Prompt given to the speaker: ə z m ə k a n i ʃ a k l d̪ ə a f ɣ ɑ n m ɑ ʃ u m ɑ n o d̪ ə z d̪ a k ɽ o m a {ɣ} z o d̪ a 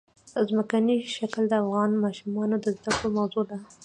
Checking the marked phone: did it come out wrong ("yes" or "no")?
yes